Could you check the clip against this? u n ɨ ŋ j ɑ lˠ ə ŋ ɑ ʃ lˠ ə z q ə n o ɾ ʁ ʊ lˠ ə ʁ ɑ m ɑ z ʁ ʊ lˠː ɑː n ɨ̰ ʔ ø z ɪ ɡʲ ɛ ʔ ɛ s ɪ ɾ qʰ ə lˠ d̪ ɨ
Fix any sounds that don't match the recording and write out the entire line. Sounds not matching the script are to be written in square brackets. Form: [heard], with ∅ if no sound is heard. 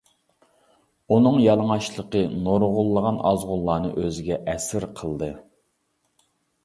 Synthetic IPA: u n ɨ ŋ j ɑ lˠ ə ŋ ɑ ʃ lˠ ə [∅] q ə n o ɾ ʁ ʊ [lˠː] ə ʁ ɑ [n] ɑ z ʁ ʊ lˠː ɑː n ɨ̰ ʔ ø z ɪ ɡʲ ɛ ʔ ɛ s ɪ ɾ qʰ ə lˠ d̪ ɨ